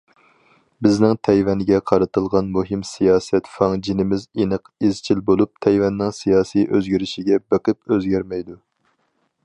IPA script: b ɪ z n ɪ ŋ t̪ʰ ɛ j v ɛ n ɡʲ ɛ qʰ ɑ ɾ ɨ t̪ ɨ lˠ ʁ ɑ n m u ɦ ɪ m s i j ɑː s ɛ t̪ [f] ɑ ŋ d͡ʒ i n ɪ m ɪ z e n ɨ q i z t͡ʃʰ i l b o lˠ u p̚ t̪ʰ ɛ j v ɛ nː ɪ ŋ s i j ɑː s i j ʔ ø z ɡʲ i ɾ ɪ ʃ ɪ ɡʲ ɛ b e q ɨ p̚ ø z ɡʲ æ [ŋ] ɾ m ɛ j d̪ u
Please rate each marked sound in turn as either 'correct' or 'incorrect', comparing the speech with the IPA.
correct, incorrect

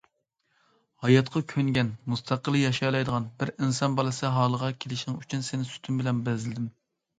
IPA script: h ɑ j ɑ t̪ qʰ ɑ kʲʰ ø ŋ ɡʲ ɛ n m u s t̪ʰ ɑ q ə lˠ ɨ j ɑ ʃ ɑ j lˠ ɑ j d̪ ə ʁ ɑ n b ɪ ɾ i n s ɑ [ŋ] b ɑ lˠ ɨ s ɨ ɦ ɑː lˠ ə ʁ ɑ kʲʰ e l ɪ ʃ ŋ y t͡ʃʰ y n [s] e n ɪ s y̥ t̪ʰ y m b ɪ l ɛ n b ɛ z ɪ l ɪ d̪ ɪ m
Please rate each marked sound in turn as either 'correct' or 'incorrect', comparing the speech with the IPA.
incorrect, correct

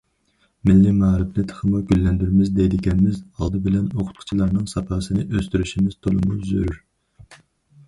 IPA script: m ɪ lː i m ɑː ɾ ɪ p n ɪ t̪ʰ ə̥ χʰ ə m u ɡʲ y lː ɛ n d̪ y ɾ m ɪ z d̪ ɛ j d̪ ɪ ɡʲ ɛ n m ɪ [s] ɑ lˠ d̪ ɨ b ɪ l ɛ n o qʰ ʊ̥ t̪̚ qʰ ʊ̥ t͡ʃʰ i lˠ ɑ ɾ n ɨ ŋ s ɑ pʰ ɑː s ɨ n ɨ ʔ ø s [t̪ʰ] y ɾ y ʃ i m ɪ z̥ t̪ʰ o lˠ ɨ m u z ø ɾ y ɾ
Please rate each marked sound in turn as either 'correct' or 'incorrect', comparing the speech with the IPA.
incorrect, incorrect

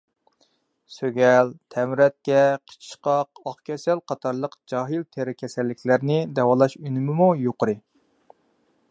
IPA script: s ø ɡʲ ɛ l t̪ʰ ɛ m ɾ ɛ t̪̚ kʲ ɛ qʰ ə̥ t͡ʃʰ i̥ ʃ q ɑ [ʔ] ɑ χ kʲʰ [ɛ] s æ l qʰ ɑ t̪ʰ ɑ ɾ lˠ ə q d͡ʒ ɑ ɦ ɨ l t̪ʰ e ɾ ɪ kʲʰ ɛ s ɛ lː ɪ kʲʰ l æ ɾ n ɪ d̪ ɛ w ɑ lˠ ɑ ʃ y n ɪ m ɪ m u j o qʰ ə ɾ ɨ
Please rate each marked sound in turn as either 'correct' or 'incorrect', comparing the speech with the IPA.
incorrect, correct

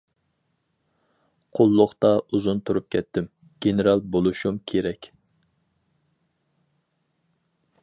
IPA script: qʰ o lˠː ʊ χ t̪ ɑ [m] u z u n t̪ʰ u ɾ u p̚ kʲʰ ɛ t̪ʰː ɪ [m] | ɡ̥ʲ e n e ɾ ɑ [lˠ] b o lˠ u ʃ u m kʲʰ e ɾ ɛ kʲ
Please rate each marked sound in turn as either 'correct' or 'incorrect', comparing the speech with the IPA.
incorrect, correct, correct

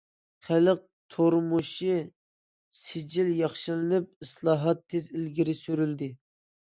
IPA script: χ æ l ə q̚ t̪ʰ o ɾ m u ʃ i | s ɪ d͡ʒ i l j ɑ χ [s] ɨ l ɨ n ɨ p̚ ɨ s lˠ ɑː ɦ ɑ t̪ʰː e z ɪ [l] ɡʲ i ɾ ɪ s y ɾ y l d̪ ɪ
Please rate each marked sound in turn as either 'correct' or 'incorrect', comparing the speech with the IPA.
incorrect, correct

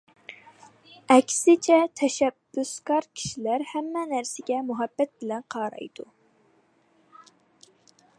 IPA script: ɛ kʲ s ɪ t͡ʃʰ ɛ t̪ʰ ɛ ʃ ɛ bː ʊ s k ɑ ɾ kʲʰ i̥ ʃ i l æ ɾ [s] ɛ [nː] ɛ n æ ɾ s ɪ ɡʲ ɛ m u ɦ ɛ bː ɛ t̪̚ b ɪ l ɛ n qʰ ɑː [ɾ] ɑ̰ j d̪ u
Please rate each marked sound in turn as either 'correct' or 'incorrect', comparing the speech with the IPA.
incorrect, incorrect, correct

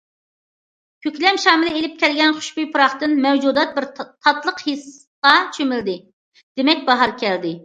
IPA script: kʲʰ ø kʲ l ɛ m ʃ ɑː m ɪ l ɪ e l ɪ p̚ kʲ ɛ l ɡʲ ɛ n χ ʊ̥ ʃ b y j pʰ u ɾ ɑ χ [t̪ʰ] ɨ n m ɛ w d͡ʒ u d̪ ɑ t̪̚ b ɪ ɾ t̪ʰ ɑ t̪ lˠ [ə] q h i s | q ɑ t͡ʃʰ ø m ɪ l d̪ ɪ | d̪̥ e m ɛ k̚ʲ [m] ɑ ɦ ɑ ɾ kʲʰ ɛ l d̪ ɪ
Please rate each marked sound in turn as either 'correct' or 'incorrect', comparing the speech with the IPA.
incorrect, correct, incorrect

